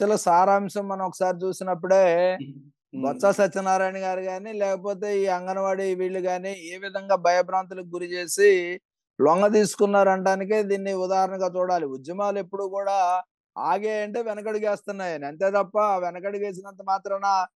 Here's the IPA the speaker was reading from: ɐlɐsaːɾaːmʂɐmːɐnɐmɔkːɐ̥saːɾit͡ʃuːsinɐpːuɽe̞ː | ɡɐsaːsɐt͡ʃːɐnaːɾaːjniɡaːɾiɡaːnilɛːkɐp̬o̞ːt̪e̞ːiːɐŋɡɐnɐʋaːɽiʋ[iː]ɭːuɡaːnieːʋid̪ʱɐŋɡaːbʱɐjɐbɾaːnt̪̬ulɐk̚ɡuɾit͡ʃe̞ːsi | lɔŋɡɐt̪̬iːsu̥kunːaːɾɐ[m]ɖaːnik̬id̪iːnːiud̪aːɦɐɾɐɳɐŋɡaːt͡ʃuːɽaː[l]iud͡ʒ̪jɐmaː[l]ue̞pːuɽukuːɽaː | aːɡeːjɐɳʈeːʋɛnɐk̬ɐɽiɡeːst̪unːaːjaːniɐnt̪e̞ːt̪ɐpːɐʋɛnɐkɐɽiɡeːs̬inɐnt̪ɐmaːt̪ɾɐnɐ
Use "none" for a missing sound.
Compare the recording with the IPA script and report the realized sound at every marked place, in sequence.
iː, ɳ, l, l

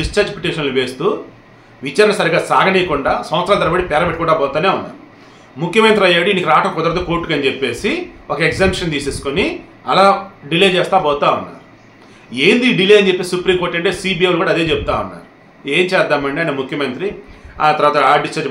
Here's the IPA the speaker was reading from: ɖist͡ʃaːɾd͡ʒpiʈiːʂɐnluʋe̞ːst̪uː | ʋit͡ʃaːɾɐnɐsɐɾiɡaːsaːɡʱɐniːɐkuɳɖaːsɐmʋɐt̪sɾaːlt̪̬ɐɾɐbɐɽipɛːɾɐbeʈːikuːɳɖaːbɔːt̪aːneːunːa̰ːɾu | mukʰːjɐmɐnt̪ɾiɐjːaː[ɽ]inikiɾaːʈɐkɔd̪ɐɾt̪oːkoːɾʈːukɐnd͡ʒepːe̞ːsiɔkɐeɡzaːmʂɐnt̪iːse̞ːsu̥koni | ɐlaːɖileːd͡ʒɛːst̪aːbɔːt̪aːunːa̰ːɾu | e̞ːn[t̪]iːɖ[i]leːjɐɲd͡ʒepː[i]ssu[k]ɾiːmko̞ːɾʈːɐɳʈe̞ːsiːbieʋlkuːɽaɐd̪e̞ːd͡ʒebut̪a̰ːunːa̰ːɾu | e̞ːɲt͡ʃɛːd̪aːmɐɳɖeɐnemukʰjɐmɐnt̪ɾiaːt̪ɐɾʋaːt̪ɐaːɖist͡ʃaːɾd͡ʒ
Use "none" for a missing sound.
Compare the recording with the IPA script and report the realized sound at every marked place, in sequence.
ɽ, d̪, i, e, p

